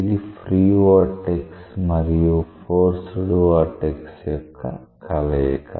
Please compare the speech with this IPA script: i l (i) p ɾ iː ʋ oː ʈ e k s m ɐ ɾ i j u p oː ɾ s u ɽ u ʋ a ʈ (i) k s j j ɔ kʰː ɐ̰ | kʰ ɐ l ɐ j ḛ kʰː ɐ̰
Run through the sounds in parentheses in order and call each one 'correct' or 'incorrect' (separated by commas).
correct, incorrect